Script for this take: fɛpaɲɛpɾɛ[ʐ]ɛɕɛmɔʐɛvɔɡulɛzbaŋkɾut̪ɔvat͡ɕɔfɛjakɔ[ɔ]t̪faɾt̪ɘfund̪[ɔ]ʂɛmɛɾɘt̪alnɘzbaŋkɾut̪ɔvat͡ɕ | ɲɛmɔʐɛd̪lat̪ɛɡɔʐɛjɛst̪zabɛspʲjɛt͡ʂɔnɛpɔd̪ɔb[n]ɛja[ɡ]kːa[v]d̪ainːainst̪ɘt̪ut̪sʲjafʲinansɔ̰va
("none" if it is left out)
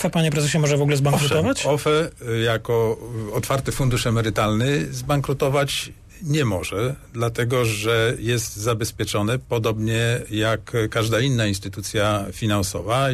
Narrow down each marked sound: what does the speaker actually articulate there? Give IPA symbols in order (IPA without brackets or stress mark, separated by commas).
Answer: z, ɔ, u, ɲ, k, ʐ